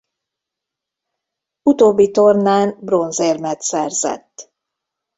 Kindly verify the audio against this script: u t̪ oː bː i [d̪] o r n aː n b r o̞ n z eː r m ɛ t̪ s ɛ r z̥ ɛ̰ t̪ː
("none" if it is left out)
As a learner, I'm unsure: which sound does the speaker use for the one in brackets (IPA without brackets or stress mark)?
t̪